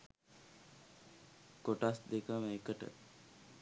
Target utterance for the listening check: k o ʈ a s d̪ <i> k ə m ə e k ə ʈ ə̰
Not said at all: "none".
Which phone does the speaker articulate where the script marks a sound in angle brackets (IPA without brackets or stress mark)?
e